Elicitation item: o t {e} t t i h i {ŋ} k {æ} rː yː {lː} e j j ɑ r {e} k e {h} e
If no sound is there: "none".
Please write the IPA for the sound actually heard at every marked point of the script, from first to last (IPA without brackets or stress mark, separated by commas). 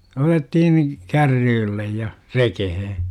e, n, æ, lː, e, h